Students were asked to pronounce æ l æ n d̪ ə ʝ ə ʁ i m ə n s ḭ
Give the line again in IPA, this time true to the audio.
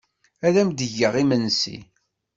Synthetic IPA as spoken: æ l æ m d̪ ə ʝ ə ʁ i m ə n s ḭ